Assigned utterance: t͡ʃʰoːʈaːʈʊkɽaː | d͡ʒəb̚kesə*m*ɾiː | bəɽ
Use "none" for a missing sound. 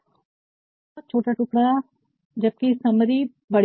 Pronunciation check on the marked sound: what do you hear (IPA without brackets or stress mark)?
m